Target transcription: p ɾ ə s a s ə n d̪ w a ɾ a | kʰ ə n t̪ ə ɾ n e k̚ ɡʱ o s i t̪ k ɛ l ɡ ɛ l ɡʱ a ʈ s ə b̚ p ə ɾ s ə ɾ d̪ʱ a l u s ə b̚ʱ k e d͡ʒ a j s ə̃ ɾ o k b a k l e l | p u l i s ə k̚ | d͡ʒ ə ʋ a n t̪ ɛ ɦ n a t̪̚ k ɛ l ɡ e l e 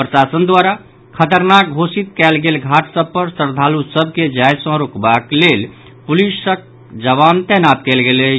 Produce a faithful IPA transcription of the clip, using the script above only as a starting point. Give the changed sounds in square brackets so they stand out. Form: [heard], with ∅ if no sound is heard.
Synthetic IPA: p ɾ ə s a s ə n d̪ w a ɾ a | kʰ ə [∅] t̪ ə ɾ n [a] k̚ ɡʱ o s i t̪ k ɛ l ɡ [e] l ɡʱ a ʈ s ə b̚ p ə ɾ s ə ɾ d̪ʱ a l u s ə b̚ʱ k e d͡ʒ a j s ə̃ ɾ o k b a k l e l | p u l i s ə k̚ | d͡ʒ ə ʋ a n t̪ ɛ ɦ n a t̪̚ k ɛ l ɡ e l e